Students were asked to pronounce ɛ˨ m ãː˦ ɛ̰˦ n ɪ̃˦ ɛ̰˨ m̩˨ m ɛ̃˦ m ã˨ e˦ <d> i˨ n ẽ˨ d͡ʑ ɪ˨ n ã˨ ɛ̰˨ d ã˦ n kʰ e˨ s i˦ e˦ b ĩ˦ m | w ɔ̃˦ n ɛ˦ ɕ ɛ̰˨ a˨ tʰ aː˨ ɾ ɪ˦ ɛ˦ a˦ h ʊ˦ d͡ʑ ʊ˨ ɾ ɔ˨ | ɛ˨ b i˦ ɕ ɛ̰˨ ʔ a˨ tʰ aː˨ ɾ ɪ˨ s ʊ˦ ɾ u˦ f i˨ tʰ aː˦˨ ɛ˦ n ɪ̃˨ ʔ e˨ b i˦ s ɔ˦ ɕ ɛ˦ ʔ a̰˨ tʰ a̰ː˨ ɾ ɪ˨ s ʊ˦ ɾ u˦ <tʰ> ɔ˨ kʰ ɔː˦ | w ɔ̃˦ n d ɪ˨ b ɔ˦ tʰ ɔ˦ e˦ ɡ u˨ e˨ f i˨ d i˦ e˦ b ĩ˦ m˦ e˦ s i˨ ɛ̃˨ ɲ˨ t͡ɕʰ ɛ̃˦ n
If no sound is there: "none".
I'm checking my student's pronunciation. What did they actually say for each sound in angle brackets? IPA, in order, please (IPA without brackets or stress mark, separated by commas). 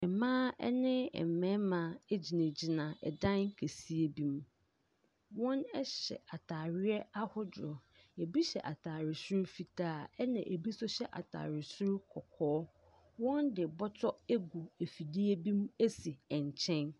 d͡ʑ, kʰ